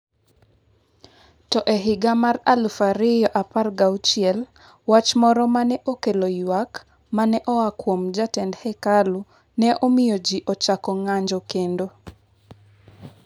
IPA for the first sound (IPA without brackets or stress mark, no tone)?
t